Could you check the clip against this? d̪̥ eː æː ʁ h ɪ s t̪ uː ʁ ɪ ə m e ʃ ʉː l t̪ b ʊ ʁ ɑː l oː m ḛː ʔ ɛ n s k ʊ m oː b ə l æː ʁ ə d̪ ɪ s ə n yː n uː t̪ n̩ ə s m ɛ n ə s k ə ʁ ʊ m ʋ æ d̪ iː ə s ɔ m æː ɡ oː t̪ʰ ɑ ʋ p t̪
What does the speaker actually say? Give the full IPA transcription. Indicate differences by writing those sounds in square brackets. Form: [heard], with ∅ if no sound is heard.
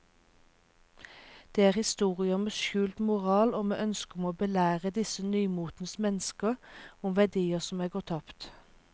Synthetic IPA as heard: d̪̥ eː æː ʁ h ɪ s t̪ uː ʁ ɪ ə m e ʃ ʉː l t̪ [m] ʊ ʁ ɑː l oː m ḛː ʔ [œ] n s k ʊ m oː b ə l æː ʁ ə d̪ ɪ s ə n yː [m] uː t̪ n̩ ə s m ɛ n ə s k ə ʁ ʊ m ʋ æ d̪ iː ə s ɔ m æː ɡ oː t̪ʰ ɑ [∅] p t̪